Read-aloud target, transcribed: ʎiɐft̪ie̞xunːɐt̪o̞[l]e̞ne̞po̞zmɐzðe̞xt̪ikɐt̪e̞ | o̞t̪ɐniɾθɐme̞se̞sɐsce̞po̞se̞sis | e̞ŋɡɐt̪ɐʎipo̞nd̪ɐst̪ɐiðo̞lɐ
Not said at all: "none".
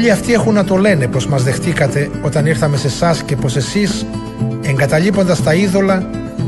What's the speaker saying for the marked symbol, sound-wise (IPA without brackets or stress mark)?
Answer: l